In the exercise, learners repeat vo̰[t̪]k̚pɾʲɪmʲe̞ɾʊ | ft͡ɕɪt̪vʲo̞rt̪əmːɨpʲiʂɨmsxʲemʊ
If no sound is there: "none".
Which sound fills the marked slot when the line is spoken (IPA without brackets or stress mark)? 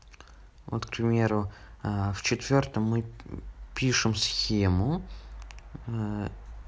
t̪